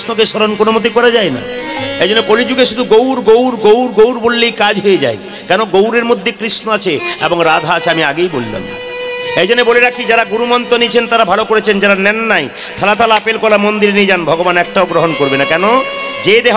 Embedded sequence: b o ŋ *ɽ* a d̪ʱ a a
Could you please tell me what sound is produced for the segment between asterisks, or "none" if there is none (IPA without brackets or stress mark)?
ɾ